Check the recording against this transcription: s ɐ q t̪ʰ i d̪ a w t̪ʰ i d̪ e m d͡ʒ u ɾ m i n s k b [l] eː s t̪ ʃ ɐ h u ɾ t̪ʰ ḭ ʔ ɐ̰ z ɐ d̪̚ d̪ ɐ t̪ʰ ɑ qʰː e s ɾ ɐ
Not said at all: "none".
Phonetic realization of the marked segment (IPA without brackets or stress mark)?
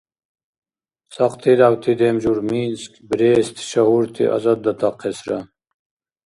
ɾ